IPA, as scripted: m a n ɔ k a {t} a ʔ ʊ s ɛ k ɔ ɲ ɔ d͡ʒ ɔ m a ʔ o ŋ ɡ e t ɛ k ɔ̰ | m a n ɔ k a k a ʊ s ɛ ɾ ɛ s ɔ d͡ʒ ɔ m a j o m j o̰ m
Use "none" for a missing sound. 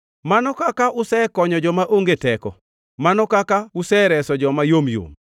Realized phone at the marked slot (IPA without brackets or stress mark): k